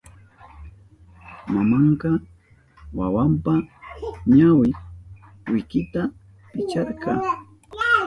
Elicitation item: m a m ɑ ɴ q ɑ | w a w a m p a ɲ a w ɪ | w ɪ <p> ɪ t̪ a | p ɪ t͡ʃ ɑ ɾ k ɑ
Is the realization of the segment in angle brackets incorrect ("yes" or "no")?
yes